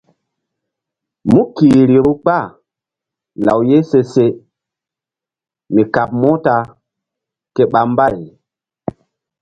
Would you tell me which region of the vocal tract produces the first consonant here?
lips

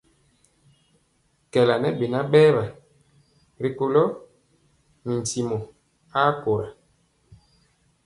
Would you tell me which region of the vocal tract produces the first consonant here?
velum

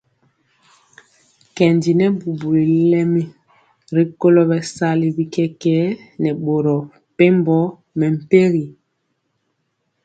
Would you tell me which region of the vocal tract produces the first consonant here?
velum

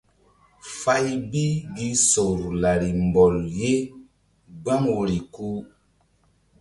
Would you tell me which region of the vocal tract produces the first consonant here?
lips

